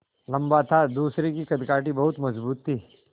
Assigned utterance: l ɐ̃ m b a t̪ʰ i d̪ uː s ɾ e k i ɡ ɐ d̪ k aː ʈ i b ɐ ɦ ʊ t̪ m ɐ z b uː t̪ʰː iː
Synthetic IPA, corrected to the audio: l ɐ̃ m b a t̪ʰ a d̪ uː s ɾ e k i k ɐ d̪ k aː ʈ i b ɐ ɦ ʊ t̪ m ɐ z b uː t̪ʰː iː